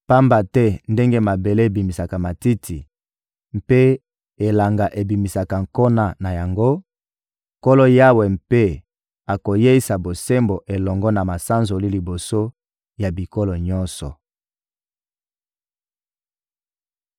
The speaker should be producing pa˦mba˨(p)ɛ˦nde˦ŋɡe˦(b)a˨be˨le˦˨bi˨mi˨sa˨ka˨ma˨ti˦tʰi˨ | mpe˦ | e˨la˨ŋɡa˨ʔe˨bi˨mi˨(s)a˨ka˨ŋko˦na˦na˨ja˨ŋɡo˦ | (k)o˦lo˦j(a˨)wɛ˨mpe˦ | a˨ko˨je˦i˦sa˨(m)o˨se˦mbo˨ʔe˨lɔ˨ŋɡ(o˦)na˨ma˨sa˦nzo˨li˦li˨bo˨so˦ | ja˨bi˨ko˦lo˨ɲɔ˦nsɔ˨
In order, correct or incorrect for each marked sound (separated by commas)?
incorrect, incorrect, correct, correct, incorrect, incorrect, incorrect